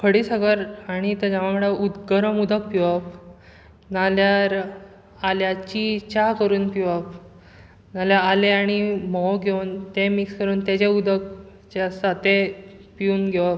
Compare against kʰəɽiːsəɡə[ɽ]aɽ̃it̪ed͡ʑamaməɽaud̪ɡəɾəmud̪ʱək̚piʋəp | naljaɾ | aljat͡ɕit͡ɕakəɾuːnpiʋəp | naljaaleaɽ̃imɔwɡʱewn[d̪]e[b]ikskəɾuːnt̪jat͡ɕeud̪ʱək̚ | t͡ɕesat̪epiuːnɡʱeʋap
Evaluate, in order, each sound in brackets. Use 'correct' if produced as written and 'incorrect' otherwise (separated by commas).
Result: incorrect, incorrect, incorrect